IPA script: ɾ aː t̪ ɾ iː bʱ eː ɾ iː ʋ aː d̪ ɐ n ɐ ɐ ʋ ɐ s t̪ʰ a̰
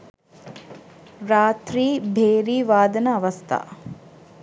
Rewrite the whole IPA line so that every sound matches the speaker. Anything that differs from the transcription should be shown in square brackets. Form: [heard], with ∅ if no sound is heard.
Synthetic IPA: ɾ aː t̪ ɾ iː bʱ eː ɾ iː ʋ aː d̪ ɐ n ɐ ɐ ʋ ɐ s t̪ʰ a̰